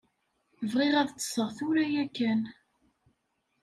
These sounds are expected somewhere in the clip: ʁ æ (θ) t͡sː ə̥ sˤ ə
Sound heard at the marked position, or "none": ð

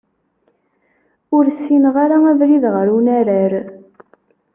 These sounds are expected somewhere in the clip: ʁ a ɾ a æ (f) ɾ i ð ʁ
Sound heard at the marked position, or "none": v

